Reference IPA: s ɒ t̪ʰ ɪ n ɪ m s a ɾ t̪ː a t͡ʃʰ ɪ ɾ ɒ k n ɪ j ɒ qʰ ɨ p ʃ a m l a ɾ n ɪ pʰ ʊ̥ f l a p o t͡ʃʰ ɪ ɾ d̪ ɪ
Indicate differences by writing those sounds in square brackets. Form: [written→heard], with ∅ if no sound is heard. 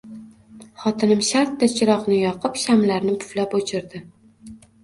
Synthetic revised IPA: [s→χ] ɒ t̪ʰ ɪ n ɪ m [s→ʃ] a ɾ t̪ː a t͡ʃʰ ɪ ɾ ɒ [k→q] n ɪ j ɒ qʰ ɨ p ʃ a m l a ɾ n ɪ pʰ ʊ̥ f l a p o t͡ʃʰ ɪ ɾ d̪ ɪ

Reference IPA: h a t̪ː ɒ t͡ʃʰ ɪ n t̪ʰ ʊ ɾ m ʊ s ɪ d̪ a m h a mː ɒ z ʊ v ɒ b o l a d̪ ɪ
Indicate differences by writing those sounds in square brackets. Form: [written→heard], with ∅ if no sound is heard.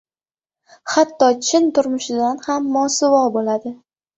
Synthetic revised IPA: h a t̪ː ɒ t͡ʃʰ ɪ n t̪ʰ ʊ ɾ m ʊ [s→ʃ] ɪ d̪ a [m→n] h a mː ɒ [z→s] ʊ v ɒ b o l a d̪ ɪ

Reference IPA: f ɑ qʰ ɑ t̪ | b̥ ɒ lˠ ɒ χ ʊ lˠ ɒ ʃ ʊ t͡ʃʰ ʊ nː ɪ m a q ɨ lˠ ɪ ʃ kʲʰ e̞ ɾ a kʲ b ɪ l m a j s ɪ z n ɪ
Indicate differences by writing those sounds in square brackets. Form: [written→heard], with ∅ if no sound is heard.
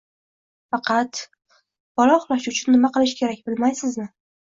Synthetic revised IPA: f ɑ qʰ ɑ t̪ | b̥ ɒ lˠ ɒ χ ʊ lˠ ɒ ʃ ʊ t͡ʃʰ ʊ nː ɪ m a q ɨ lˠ ɪ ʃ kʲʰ e̞ ɾ a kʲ b ɪ l m a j s ɪ z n ɪ

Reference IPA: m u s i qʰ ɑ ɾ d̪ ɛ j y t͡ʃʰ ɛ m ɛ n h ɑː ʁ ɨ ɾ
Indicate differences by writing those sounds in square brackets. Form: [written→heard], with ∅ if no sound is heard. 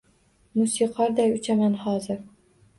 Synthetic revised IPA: m u s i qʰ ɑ ɾ d̪ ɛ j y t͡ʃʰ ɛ m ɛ n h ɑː [ʁ→z] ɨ ɾ

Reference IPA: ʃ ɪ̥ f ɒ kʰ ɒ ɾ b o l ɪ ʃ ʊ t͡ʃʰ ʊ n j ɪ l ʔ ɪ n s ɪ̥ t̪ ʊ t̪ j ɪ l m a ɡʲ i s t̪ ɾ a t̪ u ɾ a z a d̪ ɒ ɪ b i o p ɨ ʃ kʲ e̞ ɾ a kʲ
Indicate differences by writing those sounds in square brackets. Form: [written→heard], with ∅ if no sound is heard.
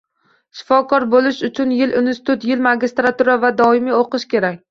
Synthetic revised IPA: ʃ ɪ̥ f ɒ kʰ ɒ ɾ b o l ɪ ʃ ʊ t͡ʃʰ ʊ n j ɪ l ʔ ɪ n s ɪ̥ t̪ ʊ t̪ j ɪ l m a ɡʲ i s t̪ ɾ a t̪ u ɾ a [z→v] a d̪ ɒ ɪ [b→m] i o [p→q] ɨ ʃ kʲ e̞ ɾ a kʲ

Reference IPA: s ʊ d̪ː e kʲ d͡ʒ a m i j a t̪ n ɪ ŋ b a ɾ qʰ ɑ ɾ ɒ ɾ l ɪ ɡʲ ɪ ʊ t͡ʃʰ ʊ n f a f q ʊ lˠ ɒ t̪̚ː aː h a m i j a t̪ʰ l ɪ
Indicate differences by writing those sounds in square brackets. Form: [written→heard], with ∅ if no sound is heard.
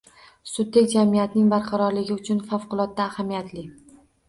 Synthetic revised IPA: s ʊ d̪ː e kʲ d͡ʒ a m i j a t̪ n ɪ ŋ b a ɾ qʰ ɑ ɾ ɒ ɾ l ɪ ɡʲ ɪ ʊ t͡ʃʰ ʊ n f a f q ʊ lˠ ɒ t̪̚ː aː h a m i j a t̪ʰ l ɪ

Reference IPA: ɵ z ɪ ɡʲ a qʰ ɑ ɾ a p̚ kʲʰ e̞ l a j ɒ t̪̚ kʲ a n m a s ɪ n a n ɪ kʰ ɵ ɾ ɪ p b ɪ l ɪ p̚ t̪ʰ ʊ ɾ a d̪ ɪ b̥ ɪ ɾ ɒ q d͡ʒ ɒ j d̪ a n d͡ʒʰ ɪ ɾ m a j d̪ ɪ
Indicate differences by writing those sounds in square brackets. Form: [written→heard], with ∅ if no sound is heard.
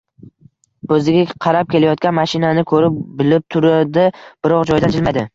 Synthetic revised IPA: ɵ z ɪ ɡʲ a qʰ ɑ ɾ a p̚ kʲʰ e̞ l a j ɒ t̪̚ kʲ a n m a [s→ʃ] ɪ n a n ɪ kʰ ɵ ɾ ɪ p b ɪ l ɪ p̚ t̪ʰ ʊ ɾ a d̪ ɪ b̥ ɪ ɾ ɒ q d͡ʒ ɒ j d̪ a n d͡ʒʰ ɪ [ɾ→l] m a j d̪ ɪ

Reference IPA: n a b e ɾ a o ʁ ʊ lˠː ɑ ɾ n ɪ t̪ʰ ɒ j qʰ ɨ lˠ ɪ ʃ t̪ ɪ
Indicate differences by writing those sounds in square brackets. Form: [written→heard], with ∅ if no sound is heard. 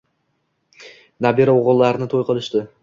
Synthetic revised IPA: n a b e ɾ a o ʁ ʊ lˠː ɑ ɾ n ɪ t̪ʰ [ɒ→o] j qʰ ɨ lˠ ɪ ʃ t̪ ɪ

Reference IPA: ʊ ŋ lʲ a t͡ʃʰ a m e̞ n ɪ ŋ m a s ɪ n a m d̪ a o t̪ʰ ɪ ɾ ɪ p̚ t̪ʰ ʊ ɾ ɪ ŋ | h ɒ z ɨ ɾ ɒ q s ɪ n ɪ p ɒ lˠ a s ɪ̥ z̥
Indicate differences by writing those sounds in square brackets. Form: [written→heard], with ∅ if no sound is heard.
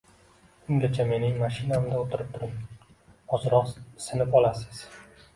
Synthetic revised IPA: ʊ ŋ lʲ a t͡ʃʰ a m e̞ n ɪ ŋ m a [s→ʃ] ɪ n a m d̪ a o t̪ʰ ɪ ɾ ɪ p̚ t̪ʰ ʊ ɾ ɪ ŋ | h ɒ z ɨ ɾ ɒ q s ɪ n ɪ p ɒ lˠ a s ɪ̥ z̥

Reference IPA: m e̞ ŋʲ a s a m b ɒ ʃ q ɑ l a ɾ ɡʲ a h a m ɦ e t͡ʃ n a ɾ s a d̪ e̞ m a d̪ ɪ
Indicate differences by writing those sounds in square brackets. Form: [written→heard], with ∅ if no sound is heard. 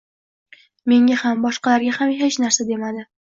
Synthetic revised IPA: m e̞ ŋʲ a [s→h] a m b ɒ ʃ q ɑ l a ɾ ɡʲ a h a m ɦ e t͡ʃ n a ɾ s a d̪ e̞ m a d̪ ɪ

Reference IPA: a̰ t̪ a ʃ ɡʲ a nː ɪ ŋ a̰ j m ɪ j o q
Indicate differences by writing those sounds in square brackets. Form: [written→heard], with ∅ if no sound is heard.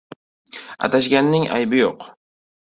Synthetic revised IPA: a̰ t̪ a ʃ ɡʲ a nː ɪ ŋ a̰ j [m→b] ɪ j o q

